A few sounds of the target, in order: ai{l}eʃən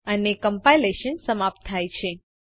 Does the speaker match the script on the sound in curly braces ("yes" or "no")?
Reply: yes